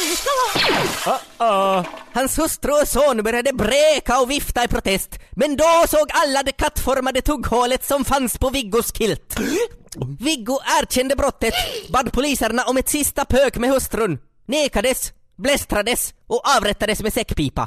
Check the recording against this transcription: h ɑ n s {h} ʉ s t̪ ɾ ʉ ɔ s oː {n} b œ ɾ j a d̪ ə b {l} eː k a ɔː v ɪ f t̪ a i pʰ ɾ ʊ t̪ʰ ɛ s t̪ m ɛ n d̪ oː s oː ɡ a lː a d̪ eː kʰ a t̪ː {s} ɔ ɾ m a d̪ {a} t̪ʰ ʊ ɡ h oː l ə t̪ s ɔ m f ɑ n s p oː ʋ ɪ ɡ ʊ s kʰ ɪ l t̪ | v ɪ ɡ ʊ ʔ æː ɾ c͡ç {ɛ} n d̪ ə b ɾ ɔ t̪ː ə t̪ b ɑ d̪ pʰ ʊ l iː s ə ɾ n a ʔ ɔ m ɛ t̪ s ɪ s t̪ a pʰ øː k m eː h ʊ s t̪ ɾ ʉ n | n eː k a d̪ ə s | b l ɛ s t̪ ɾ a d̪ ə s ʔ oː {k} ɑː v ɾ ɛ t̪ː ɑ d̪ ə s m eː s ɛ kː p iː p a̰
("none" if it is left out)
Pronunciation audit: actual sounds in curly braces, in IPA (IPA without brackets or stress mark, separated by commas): h, n, ɾ, f, ə, ɛ, ʔ